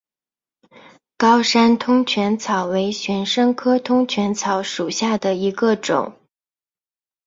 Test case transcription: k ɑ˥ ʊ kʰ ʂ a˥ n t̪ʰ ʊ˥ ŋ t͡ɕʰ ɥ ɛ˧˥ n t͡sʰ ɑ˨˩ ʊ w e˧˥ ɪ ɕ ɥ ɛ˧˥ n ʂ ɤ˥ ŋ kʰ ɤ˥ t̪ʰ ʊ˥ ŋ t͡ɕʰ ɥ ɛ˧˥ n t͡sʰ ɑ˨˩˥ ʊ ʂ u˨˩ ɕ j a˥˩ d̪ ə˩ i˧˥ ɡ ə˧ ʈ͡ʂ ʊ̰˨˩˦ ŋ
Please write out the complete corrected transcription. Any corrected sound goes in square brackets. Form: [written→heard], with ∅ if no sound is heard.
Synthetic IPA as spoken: k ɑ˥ ʊ [kʰ→∅] ʂ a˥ n t̪ʰ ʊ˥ ŋ t͡ɕʰ ɥ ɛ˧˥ n t͡sʰ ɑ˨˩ ʊ w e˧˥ ɪ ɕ ɥ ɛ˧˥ n ʂ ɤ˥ ŋ kʰ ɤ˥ t̪ʰ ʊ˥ ŋ t͡ɕʰ ɥ ɛ˧˥ n t͡sʰ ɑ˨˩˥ ʊ ʂ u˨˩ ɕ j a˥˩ d̪ ə˩ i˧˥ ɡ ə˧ ʈ͡ʂ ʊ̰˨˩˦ ŋ